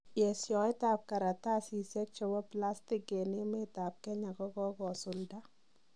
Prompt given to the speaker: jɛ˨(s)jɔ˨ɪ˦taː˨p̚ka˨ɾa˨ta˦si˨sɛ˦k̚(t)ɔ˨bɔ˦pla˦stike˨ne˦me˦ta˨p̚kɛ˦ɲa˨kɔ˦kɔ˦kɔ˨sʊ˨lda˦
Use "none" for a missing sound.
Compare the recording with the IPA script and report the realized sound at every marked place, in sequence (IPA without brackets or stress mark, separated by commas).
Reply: s, t͡ʃ